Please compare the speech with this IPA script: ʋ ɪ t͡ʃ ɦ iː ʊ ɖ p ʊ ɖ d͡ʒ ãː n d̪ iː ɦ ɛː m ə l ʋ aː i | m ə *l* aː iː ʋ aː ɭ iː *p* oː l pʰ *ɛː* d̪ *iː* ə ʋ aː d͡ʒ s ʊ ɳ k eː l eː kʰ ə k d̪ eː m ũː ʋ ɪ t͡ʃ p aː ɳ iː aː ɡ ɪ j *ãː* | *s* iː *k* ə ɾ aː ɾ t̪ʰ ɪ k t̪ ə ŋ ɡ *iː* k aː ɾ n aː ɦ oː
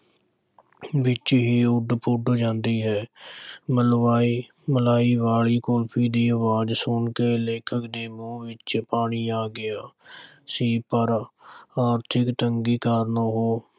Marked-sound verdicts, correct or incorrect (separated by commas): correct, incorrect, incorrect, correct, incorrect, correct, incorrect, correct